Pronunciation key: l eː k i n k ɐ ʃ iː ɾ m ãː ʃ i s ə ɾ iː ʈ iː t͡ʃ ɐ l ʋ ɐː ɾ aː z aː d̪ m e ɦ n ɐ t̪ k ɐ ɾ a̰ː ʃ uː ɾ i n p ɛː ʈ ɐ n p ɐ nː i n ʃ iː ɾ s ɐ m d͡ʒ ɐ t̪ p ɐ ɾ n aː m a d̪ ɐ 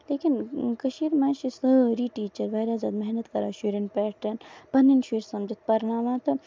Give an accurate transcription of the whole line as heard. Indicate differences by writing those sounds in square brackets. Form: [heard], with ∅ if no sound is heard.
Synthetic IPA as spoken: l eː k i n k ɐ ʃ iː ɾ m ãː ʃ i s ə ɾ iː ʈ iː t͡ʃ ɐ [ɾ] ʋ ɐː ɾ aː z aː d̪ m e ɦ n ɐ t̪ k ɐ ɾ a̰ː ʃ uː ɾ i n p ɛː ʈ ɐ n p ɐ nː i n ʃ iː ɾ s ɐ m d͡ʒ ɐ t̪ p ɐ ɾ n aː m a [t̪] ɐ